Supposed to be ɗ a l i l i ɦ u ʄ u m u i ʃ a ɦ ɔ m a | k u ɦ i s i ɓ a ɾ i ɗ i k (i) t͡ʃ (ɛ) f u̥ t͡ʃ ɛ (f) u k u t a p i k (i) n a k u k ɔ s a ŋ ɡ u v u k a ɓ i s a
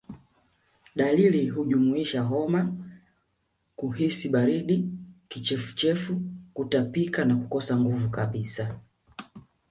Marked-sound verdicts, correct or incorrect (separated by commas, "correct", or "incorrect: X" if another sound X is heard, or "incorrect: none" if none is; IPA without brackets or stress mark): correct, correct, correct, incorrect: a